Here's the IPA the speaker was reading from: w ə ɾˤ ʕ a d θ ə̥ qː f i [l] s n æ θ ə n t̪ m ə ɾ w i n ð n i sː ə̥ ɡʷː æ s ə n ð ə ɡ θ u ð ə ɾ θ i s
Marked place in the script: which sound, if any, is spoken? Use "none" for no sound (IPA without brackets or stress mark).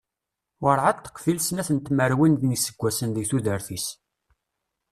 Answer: l